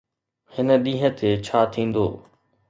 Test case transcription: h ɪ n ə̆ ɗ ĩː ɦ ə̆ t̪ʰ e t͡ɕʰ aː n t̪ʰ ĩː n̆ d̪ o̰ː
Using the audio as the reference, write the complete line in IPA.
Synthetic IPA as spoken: h ɪ n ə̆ ɗ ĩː ɦ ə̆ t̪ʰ e t͡ɕʰ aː t̪ʰ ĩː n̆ d̪ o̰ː

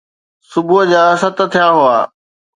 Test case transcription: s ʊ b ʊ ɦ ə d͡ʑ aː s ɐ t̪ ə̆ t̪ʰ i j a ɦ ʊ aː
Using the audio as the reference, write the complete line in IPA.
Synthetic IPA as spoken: s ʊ b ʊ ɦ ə d͡ʑ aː s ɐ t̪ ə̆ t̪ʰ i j a ɦ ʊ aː

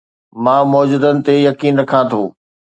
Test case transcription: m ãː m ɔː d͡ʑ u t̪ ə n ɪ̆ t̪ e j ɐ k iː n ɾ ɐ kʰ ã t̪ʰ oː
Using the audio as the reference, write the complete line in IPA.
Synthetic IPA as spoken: m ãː m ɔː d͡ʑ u d̪ ə n ɪ̆ t̪ e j ɐ k iː n ɾ ɐ kʰ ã t̪ʰ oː

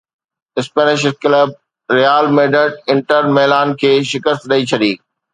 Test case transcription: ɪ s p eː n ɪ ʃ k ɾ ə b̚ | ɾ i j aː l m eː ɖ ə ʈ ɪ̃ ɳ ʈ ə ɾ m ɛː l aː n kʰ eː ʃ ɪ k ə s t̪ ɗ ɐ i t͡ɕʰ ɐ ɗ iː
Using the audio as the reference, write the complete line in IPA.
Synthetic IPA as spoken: ɪ s p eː n ɪ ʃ k l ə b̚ | ɾ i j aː l m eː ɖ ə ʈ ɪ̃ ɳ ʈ ə ɾ m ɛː l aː n kʰ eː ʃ ɪ k ə s t̪ ɗ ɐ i t͡ɕʰ ɐ ɗ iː

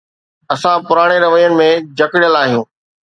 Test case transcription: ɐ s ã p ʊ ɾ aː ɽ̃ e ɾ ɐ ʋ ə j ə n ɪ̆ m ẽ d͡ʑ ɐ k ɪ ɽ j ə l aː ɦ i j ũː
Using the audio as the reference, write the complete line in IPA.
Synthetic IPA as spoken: ɐ s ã p ʊ ɾ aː ɽ̃ e ɾ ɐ ʋ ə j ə n ɪ̆ m ẽ d͡ʑ ɐ k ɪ ɽ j ə l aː ɦ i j ũː

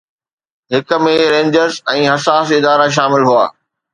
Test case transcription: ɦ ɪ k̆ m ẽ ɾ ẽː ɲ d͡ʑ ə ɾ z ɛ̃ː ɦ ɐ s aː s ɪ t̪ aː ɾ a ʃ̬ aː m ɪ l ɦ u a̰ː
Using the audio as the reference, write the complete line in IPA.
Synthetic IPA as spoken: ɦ ɪ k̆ m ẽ ɾ ẽː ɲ d͡ʑ ə ɾ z ɛ̃ː ɦ ɐ s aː s ɪ d̪ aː ɾ a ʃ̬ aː m ɪ l ɦ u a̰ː

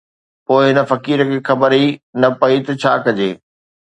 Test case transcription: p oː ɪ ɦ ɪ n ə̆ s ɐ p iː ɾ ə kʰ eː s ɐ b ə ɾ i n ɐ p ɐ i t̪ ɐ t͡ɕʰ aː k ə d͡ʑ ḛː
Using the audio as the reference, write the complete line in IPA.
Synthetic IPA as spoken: p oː ɪ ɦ ɪ n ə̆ f ɐ k iː ɾ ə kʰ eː x ɐ b ə ɾ i n ɐ p ɐ i t̪ ɐ t͡ɕʰ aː k ɐ d͡ʑ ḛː

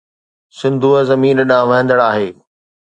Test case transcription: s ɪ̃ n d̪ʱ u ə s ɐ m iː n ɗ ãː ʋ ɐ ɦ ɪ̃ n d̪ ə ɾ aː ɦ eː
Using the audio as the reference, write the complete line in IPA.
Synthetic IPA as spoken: s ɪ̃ n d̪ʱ u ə z ɐ m iː n ɗ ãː ʋ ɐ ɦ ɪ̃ n d̪ ə ɽ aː ɦ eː

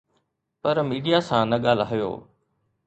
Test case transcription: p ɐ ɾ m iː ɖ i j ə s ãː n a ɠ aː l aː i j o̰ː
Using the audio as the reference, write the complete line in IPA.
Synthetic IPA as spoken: p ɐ ɾ m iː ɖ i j a s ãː n ɐ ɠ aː l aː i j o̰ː

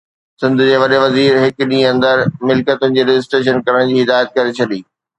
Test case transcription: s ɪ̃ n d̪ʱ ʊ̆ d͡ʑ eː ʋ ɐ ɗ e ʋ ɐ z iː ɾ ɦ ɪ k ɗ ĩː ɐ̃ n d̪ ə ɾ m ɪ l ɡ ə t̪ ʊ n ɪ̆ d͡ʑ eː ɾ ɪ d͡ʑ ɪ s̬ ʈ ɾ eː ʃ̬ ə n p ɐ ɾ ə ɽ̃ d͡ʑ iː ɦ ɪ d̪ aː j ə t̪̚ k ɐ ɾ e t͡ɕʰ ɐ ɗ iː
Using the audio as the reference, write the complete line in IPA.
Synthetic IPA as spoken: s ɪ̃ n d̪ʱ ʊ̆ d͡ʑ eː ʋ ɐ ɗ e ʋ ɐ z iː ɾ ɦ ɪ k ɗ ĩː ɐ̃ n d̪ ə ɾ m ɪ l k ə t̪ ʊ n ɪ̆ d͡ʑ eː ɾ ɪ d͡ʑ ɪ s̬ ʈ ɾ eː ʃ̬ ə n k ɐ ɾ ə ɽ̃ d͡ʑ iː ɦ ɪ d̪ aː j ə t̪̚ k ɐ ɾ e t͡ɕʰ ɐ ɗ iː

